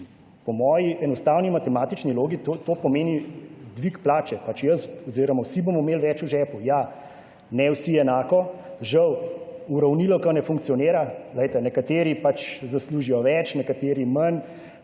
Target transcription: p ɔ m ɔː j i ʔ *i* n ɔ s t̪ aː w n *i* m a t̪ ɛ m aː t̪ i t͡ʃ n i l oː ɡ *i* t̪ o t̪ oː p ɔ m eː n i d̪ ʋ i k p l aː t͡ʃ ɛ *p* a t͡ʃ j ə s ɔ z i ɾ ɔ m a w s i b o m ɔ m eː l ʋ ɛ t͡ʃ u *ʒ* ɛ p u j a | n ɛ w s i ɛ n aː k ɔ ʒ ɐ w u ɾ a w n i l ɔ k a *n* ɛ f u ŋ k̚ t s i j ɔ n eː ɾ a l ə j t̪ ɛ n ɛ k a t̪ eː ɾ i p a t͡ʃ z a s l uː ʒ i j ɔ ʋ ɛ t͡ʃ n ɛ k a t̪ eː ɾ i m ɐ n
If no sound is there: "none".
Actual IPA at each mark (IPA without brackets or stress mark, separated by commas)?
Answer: ɛ, i, i, p, ʒ, n